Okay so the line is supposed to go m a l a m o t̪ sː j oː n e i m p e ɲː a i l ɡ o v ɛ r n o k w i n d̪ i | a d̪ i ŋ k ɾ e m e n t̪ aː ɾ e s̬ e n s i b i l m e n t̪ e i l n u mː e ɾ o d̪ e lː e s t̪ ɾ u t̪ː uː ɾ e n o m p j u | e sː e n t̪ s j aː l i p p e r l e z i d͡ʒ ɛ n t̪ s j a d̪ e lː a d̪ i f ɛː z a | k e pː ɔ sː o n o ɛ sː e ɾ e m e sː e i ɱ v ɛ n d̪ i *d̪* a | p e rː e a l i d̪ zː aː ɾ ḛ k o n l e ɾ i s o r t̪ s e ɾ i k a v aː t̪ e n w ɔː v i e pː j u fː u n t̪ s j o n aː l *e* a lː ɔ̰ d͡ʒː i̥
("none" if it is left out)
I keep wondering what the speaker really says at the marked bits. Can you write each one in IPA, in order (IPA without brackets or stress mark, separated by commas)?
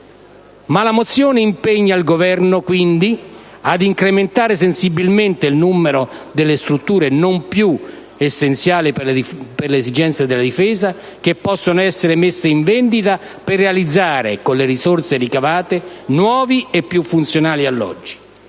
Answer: t̪, i